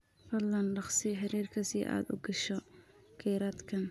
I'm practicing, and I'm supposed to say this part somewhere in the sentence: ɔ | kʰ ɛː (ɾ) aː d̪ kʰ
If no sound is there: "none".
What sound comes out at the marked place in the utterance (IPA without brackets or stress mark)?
ɾ